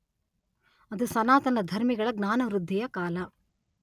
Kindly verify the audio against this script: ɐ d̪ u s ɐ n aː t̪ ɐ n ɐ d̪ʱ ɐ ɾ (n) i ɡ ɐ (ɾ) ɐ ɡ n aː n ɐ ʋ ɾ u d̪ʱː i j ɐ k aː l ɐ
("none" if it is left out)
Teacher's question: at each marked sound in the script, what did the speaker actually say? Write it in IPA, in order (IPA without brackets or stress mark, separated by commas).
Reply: m, ɭ